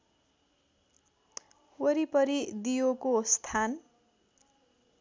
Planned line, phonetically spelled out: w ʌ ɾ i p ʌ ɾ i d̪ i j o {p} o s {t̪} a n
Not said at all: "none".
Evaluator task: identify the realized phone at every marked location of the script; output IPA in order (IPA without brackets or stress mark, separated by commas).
k, t̪ʰ